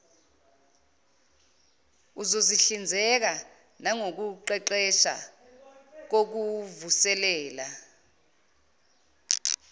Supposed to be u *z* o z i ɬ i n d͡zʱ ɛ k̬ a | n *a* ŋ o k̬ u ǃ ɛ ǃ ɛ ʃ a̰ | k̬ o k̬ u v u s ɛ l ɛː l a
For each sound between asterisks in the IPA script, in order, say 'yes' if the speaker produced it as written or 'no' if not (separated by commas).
yes, yes